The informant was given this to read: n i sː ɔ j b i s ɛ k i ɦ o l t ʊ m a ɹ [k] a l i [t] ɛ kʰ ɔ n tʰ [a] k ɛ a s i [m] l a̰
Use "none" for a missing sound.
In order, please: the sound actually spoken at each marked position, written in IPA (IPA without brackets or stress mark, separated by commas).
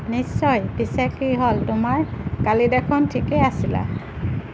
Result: k, d, i, none